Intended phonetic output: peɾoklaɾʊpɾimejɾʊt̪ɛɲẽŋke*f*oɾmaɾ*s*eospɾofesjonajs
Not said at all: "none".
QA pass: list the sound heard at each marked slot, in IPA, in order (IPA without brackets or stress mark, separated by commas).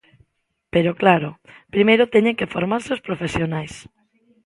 f, s